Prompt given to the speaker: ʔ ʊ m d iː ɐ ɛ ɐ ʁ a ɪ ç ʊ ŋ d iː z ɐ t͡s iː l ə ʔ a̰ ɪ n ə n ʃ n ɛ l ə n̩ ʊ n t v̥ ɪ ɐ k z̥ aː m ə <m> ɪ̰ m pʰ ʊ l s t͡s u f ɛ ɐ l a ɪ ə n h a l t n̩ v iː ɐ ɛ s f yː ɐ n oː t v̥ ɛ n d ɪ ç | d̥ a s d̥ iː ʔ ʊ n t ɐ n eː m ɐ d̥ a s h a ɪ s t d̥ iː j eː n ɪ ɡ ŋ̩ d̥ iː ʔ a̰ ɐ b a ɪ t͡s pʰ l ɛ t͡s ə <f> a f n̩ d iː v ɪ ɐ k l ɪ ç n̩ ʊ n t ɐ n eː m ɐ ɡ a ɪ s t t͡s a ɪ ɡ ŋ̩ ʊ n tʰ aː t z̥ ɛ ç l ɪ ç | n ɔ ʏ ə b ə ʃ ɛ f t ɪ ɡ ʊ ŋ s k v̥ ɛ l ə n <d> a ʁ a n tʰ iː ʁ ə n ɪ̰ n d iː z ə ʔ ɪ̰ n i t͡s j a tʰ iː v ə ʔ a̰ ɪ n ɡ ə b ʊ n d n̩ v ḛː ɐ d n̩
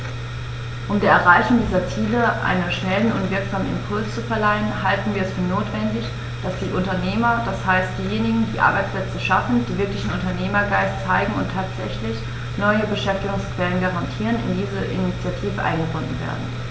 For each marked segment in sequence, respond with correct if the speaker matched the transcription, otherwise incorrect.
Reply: incorrect: n, incorrect: ʃ, incorrect: ɡ

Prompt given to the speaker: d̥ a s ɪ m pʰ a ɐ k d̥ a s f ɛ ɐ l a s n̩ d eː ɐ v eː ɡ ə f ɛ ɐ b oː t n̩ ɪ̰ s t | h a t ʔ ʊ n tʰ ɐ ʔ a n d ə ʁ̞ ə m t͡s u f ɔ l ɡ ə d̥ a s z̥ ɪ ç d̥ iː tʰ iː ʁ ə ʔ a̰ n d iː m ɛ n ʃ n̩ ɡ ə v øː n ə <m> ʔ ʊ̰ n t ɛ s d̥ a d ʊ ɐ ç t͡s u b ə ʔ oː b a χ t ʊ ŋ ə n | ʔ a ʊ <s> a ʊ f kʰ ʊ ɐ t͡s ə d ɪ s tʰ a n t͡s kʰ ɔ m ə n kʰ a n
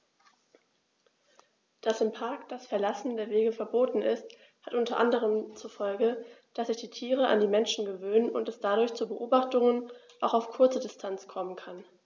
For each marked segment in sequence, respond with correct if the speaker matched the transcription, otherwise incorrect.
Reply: incorrect: n, incorrect: x

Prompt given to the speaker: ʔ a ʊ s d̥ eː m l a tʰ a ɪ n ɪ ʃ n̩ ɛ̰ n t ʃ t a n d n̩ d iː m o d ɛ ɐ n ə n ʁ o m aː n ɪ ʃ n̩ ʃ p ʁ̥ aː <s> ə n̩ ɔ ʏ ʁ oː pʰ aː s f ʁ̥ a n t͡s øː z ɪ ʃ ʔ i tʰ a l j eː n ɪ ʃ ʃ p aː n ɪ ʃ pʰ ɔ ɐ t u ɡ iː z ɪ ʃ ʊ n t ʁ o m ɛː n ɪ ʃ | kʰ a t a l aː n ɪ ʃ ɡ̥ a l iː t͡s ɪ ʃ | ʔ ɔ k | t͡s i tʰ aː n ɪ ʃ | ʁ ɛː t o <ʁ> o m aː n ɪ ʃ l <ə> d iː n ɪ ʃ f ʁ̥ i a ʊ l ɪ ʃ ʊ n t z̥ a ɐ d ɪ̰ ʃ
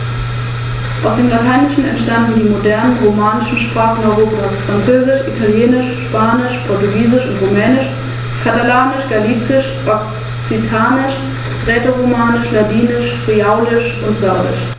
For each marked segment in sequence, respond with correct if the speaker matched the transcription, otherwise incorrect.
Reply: incorrect: χ, correct, incorrect: a

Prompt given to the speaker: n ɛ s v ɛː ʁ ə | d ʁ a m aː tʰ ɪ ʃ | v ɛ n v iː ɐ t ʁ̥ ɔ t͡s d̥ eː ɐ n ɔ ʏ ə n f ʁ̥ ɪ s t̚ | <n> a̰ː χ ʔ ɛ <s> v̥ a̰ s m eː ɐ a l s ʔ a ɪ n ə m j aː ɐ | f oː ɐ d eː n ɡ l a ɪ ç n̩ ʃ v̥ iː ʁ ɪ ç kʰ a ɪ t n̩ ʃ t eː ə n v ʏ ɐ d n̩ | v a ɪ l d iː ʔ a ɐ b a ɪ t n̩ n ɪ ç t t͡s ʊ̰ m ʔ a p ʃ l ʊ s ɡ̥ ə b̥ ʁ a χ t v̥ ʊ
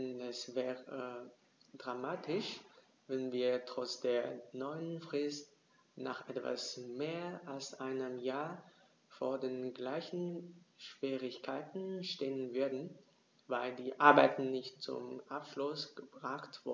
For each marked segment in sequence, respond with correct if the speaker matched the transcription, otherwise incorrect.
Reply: correct, incorrect: t

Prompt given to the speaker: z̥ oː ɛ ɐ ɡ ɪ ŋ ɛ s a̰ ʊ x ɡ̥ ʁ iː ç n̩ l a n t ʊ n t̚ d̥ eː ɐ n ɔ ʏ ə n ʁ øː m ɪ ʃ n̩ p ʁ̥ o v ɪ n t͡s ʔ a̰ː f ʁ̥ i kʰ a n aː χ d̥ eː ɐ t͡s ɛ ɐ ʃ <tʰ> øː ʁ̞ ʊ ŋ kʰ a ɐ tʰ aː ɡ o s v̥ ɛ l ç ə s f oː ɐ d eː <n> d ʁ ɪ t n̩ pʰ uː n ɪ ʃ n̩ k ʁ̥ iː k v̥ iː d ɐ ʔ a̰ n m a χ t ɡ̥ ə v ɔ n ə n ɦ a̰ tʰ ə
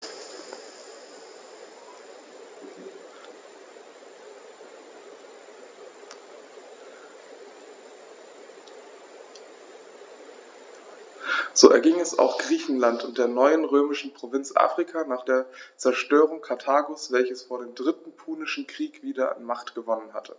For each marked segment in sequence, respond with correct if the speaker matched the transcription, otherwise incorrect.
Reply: incorrect: t, incorrect: m

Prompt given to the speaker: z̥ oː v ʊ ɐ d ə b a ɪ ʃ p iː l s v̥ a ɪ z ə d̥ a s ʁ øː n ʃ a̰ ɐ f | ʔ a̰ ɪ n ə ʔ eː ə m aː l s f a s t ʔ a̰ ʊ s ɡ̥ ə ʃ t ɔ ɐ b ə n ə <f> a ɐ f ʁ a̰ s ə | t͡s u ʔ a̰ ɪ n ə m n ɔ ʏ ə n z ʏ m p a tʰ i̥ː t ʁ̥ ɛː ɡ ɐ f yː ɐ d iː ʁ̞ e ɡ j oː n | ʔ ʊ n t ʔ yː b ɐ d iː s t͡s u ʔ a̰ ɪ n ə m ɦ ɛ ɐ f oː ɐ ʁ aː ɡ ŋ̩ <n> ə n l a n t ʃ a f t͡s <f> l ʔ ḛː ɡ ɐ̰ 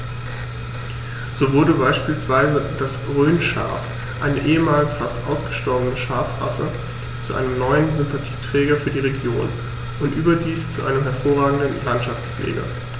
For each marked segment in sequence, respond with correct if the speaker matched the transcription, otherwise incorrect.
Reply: incorrect: ʃ, incorrect: d, correct

